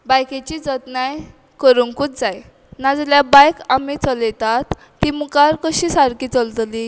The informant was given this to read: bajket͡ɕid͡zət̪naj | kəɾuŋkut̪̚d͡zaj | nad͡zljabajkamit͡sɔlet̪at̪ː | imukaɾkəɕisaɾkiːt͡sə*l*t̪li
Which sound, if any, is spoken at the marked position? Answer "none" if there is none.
l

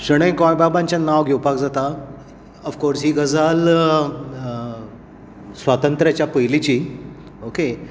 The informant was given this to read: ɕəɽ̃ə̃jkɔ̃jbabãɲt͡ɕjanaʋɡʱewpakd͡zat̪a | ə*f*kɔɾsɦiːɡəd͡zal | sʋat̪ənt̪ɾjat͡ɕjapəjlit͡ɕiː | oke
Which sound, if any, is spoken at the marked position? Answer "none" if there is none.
f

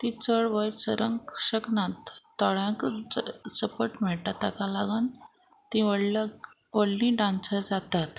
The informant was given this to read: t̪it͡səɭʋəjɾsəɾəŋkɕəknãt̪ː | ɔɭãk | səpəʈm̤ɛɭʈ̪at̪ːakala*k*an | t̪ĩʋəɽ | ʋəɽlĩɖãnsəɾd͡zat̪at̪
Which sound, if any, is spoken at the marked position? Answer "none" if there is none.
ɡ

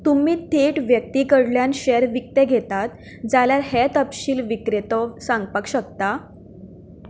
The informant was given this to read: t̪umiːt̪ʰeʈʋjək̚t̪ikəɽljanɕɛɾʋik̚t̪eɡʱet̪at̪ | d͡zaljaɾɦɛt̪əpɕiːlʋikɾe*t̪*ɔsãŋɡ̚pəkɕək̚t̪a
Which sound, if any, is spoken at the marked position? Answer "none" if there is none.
t̪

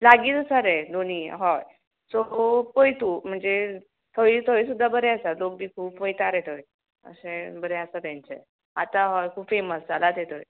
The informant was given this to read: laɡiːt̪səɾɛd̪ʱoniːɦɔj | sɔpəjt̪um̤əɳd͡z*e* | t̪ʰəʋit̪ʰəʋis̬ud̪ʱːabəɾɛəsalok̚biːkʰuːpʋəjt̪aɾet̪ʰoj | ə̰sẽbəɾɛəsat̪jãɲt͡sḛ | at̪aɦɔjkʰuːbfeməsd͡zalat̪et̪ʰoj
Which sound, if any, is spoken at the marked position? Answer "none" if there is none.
e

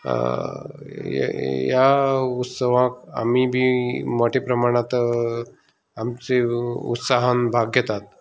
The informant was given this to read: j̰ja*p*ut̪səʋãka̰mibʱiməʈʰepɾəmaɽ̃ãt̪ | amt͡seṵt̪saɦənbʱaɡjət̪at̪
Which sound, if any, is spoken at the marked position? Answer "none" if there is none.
none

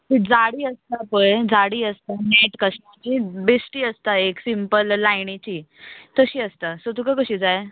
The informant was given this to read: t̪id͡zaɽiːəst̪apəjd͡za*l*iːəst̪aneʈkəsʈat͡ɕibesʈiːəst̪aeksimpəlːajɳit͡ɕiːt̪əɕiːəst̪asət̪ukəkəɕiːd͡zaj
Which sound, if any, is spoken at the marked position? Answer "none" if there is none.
ɽ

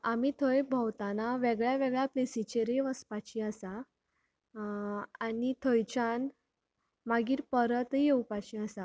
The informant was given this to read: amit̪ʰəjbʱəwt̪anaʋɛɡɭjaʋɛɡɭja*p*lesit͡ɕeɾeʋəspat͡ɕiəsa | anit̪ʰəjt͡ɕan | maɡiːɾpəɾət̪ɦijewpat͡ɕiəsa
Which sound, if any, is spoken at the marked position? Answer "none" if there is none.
p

